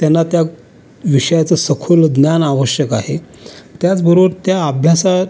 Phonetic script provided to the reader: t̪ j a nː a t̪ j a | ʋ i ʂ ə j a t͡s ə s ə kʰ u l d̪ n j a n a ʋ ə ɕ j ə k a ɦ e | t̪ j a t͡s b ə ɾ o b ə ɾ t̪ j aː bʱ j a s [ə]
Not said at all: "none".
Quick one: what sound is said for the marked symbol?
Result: a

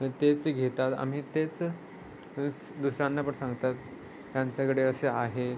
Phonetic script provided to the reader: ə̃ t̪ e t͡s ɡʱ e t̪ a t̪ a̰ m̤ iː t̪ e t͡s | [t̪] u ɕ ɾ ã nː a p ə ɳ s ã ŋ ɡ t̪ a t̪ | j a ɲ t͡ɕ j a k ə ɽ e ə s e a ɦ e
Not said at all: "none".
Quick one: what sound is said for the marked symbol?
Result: d̪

